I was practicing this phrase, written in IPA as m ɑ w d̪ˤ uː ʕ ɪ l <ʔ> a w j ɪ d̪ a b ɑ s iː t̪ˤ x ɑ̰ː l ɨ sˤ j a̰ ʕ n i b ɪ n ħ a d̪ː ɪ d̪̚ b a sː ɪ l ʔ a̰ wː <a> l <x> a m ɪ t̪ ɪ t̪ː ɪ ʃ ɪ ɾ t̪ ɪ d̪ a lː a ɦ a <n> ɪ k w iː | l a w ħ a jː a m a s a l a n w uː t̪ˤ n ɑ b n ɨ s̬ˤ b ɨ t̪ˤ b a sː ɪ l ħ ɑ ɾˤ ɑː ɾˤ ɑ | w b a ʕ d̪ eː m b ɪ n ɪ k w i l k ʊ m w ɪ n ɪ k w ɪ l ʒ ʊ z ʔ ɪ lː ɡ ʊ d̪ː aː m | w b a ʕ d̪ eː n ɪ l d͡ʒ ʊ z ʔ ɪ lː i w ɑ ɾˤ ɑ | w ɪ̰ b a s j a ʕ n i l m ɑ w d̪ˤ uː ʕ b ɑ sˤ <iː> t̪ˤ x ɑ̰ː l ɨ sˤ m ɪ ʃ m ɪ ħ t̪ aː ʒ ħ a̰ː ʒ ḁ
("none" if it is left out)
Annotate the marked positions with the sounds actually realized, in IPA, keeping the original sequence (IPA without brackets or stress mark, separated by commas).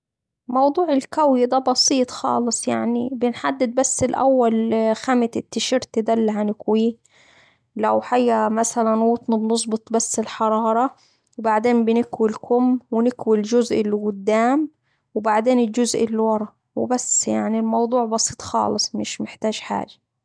k, a, x, n, iː